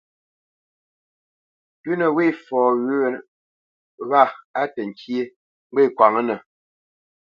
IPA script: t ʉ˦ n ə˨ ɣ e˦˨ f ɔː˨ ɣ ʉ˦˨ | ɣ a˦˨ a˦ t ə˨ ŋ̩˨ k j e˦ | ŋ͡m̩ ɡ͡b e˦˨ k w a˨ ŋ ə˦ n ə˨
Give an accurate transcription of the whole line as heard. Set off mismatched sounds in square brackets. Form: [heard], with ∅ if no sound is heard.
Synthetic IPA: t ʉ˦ n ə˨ [w] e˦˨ f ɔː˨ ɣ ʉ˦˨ | ɣ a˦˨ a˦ t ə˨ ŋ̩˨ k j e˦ | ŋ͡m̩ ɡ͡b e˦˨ k w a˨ ŋ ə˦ n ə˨